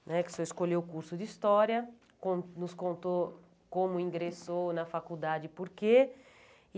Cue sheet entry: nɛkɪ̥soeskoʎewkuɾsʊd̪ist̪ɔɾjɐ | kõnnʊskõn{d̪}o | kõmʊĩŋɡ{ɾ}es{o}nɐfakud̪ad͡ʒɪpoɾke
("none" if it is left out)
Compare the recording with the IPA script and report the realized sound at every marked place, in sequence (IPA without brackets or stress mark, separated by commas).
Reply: t̪, ɾ, o